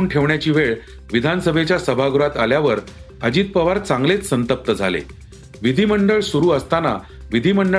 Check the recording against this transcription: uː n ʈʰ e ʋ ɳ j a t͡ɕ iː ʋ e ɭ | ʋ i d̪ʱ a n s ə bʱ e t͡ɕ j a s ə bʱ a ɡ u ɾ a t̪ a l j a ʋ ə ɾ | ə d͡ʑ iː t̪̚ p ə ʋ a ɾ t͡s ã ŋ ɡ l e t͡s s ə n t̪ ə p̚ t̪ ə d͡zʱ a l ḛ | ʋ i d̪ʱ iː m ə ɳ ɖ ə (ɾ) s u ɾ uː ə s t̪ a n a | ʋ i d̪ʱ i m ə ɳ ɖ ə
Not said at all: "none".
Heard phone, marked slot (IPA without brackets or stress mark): ɭ